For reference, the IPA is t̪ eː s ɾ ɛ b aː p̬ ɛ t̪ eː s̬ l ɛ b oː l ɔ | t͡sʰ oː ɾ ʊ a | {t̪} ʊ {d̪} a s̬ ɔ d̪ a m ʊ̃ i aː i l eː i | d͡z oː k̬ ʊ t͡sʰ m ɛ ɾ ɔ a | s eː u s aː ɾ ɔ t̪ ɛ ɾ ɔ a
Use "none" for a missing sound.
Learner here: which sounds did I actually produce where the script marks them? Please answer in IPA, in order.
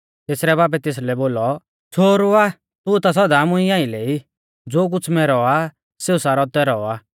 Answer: t̪, t̪

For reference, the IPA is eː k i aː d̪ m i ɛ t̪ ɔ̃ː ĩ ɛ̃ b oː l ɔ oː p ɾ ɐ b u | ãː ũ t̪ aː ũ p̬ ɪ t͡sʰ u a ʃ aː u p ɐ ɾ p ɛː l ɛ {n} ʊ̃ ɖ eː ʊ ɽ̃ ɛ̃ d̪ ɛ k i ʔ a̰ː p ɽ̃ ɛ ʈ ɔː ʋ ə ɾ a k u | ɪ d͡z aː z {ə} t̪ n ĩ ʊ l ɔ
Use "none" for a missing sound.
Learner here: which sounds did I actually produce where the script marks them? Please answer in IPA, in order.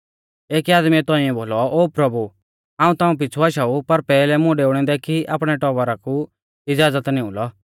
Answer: m, ə

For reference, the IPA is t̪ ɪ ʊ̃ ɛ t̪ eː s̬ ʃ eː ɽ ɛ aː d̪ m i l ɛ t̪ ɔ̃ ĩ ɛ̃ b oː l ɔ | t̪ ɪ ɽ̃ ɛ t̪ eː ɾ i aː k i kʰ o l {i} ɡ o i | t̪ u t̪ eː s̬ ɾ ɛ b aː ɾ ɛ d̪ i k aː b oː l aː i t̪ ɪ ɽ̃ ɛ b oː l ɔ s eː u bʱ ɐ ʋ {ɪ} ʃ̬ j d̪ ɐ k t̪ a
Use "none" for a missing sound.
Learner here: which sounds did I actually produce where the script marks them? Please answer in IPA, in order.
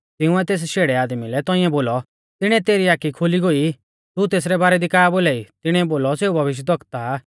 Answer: i, ɪ

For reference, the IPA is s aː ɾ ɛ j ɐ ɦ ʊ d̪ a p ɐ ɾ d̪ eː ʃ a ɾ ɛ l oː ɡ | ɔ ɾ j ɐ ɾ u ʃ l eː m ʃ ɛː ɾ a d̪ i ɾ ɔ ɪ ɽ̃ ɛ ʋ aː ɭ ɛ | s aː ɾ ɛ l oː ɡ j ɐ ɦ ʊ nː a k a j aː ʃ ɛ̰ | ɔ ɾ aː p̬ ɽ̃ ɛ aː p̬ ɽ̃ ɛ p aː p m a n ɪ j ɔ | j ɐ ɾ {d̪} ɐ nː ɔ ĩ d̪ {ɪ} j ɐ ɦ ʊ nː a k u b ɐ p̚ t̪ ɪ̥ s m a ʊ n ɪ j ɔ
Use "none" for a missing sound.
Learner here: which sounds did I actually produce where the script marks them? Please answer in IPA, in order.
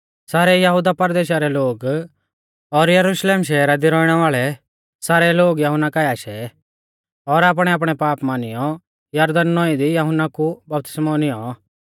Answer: d̪, i

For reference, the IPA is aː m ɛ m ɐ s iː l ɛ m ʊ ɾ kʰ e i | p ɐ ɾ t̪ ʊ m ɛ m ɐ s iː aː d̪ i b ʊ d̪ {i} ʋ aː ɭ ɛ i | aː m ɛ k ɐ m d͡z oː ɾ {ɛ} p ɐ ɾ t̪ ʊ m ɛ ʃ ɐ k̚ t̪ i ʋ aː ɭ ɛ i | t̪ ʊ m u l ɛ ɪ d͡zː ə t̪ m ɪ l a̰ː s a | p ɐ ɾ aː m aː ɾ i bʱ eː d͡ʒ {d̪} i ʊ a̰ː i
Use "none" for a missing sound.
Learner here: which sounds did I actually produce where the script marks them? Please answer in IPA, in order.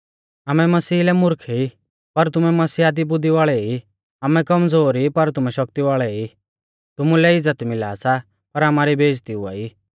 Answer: i, i, t̪

